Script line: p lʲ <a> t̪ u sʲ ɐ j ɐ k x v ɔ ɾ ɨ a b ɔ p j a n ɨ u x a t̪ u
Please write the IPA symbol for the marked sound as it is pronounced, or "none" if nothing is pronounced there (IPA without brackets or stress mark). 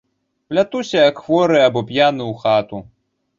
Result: a